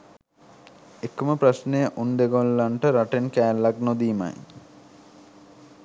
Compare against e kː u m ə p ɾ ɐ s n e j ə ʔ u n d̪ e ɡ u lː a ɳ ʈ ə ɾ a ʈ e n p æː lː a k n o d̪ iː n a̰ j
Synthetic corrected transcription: e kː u m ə p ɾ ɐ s n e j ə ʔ u n d̪ e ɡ o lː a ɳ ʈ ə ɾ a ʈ e n k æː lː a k n o d̪ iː m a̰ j